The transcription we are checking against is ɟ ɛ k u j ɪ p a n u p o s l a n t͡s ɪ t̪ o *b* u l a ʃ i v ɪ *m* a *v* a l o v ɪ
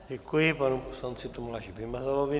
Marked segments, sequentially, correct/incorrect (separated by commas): incorrect, correct, incorrect